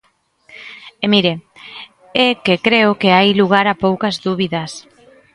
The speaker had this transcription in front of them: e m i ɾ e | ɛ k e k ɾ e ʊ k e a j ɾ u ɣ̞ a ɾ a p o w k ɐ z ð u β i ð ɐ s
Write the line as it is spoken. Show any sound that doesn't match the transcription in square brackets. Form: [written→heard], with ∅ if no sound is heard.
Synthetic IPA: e m i ɾ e | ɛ k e k ɾ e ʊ k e a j [ɾ→l] u ɣ̞ a ɾ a p o w k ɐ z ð u β i ð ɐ s